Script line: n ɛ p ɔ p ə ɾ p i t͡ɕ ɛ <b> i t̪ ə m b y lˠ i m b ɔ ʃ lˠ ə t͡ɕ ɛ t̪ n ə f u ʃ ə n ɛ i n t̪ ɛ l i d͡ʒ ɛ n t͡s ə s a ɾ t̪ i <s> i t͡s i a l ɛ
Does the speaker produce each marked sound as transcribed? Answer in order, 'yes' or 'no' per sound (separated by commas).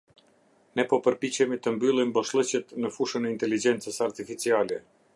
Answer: no, no